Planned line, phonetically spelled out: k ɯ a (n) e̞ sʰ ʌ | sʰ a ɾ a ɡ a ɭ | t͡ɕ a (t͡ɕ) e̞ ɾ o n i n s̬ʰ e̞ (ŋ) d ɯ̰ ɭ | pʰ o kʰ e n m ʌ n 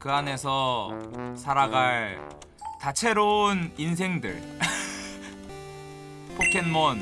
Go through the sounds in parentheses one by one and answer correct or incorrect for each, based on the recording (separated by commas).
correct, incorrect, correct